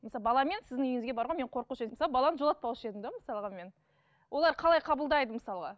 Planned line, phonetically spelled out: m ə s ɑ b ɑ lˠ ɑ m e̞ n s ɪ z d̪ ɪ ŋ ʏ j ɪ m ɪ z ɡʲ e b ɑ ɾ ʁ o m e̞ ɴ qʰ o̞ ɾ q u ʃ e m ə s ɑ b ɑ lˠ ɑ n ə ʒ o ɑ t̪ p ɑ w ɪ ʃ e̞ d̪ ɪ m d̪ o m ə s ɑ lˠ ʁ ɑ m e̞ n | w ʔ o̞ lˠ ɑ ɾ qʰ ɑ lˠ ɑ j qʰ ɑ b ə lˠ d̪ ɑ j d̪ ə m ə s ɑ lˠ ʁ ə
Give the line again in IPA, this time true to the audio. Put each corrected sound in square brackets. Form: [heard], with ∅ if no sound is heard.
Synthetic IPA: m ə s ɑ b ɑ lˠ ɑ m e̞ n s ɪ z d̪ ɪ ŋ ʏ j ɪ [ŋ] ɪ z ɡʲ e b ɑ ɾ ʁ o m e̞ ɴ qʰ o̞ ɾ q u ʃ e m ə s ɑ b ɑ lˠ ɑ n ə ʒ o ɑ t̪ p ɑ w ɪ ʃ e̞ d̪ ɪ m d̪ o m ə s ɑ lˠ ʁ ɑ m e̞ n | w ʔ o̞ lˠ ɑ ɾ qʰ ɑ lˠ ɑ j qʰ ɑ b ə lˠ d̪ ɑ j d̪ ə m ə s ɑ lˠ ʁ [ɑ]

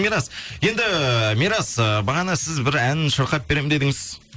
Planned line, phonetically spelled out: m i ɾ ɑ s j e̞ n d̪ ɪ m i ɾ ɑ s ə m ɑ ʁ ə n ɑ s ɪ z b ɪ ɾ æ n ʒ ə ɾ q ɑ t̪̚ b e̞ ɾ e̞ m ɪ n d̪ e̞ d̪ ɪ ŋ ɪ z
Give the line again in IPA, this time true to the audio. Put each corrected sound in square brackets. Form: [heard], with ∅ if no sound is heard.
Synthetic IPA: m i ɾ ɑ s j e̞ n d̪ ɪ m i ɾ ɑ s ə [b] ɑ ʁ [ɑ] n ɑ s ɪ z b ɪ ɾ æ n [ʃ] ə ɾ q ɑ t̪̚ b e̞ ɾ e̞ m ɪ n d̪ e̞ d̪ ɪ ŋ ɪ z

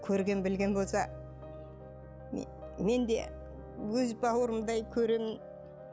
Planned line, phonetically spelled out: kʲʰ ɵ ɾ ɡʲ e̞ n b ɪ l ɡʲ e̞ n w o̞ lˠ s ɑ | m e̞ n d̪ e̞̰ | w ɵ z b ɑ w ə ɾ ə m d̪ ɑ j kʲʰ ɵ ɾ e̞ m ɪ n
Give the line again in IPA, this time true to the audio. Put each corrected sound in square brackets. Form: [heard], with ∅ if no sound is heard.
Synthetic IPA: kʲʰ ɵ ɾ ɡʲ e̞ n b ɪ l ɡʲ e̞ n [b] o̞ lˠ s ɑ | m e̞ n d̪ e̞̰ | w ɵ z b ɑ w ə ɾ ə m d̪ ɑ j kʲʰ ɵ ɾ e̞ m ɪ n

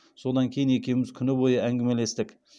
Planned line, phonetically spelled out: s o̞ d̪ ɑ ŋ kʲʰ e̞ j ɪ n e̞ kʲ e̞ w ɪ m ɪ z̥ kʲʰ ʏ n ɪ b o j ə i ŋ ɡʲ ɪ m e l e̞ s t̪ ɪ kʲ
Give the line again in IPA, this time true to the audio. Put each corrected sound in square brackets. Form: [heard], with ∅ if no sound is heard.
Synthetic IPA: s o̞ d̪ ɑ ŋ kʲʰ e̞ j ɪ n e̞ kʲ e̞ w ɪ m ɪ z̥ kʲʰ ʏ n ɪ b o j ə [æ] ŋ ɡʲ ɪ m e l e̞ s t̪ ɪ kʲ

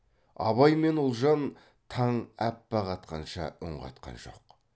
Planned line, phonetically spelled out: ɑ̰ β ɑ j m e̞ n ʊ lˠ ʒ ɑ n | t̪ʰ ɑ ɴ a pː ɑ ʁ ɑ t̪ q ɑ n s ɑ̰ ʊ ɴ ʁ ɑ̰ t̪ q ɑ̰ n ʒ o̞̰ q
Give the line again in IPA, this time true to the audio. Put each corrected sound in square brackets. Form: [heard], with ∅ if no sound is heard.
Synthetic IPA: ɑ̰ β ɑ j m e̞ n ʊ lˠ ʒ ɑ n | t̪ʰ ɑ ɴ [æ] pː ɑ ʁ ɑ t̪ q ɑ n [ʃ] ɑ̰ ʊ ɴ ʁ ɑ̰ t̪ q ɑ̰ n ʒ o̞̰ q

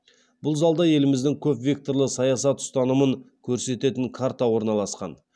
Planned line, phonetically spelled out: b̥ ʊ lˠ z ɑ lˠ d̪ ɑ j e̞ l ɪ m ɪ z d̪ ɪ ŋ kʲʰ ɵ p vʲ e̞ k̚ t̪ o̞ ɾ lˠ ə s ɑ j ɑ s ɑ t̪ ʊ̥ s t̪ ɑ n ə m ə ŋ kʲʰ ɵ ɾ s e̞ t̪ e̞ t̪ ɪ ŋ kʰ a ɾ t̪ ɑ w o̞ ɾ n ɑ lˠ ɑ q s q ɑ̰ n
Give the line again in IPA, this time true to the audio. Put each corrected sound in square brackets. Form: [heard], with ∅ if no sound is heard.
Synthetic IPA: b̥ ʊ lˠ z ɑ lˠ d̪ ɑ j e̞ l ɪ m ɪ z d̪ ɪ ŋ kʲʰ ɵ p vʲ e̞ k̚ t̪ o̞ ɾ lˠ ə s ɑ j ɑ s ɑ t̪ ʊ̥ s t̪ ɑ n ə m ə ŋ kʲʰ ɵ ɾ s e̞ t̪ e̞ t̪ ɪ ŋ kʰ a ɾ t̪ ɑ w o̞ ɾ n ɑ lˠ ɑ [∅] s q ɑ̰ n

